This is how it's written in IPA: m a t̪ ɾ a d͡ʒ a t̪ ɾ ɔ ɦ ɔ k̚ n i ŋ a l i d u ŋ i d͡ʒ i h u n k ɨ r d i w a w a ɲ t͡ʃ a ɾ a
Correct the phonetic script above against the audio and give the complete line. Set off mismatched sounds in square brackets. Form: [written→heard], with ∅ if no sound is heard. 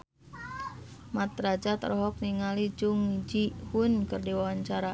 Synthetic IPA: m a t̪ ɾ a d͡ʒ a t̪ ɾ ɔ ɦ ɔ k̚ n i ŋ a l i [d→d͡ʒ] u ŋ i d͡ʒ i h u n k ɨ r d i w a w a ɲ t͡ʃ a ɾ a